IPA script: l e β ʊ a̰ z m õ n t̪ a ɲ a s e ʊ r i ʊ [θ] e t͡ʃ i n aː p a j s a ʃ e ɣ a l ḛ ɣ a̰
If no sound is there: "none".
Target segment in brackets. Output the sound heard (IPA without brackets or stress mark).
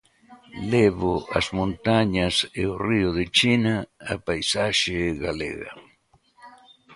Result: ð